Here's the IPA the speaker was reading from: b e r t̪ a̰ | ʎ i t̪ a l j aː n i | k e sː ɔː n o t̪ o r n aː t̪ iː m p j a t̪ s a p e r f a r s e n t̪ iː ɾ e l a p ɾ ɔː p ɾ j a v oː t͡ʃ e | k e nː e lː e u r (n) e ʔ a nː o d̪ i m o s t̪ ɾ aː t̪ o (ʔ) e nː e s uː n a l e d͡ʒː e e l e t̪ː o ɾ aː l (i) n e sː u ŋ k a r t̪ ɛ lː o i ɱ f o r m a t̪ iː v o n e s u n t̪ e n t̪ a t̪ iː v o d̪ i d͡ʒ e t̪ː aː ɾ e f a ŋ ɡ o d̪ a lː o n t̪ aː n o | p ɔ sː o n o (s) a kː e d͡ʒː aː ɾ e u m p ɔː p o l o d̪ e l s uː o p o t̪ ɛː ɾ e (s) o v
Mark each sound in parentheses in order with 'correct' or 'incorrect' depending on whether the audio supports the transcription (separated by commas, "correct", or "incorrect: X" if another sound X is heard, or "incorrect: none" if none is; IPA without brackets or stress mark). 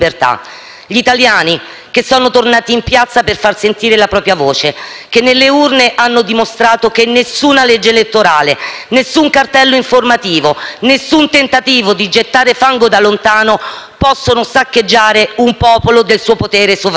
correct, incorrect: k, incorrect: e, correct, correct